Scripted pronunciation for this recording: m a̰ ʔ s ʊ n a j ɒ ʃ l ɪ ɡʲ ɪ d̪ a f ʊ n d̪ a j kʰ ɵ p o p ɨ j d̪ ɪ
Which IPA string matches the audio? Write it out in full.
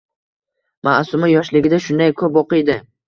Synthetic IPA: m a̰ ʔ s ʊ m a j ɒ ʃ l ɪ ɡʲ ɪ d̪ a ʃ ʊ n d̪ a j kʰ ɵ p o q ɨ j d̪ ɪ